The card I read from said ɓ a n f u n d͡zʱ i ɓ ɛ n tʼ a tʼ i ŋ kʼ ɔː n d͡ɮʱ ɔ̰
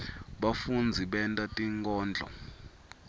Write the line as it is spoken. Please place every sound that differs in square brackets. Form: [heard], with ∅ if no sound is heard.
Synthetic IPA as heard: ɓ a [∅] f u n d͡zʱ i ɓ ɛ n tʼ a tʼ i ŋ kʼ ɔː n d͡ɮʱ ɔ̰